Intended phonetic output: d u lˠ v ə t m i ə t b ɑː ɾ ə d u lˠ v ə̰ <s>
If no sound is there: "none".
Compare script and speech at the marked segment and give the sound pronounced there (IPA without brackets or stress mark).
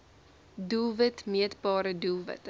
t